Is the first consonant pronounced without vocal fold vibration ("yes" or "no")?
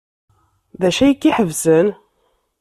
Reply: no